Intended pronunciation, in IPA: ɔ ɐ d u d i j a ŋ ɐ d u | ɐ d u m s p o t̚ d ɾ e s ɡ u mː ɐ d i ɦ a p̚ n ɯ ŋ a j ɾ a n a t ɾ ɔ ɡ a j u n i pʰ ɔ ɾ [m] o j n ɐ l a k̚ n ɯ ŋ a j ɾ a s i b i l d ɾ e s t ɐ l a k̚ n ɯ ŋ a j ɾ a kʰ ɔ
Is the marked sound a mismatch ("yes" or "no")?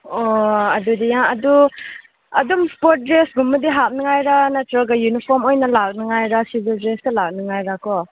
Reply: no